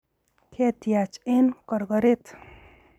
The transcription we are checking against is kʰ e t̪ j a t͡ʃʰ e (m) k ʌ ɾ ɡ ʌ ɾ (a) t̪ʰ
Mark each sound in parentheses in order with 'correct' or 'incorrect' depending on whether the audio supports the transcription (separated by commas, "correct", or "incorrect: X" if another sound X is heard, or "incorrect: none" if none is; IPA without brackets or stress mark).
incorrect: n, incorrect: e